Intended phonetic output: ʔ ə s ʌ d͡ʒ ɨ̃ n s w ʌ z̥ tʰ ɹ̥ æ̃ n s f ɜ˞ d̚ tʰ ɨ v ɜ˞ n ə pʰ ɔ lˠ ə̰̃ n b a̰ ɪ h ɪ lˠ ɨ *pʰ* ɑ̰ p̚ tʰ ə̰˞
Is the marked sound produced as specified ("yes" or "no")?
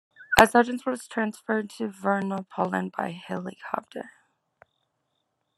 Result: no